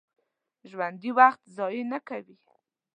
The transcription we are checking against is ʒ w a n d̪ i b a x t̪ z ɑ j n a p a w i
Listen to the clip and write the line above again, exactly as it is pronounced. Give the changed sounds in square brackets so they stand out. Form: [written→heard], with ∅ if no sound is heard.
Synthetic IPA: ʒ w a n d̪ i [b→w] a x t̪ z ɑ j n a [p→k] a w i